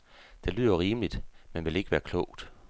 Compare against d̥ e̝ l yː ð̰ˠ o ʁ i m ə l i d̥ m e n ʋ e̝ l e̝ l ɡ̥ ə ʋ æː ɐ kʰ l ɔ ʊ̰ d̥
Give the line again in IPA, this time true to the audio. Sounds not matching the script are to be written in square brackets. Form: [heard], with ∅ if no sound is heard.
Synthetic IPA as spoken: d̥ e̝ l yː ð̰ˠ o ʁ [iː] m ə l i d̥ m e n ʋ e̝ l e̝ [∅] ɡ̥ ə ʋ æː ɐ kʰ l ɔ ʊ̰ d̥